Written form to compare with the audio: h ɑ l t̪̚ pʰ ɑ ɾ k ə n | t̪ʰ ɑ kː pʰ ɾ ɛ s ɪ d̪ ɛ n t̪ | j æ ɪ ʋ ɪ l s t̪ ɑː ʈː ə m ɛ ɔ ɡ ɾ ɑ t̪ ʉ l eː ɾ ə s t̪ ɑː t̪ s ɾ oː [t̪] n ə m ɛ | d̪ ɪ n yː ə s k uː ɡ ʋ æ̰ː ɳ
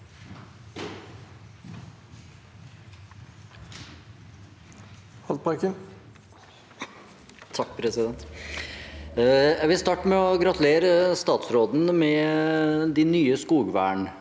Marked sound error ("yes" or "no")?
yes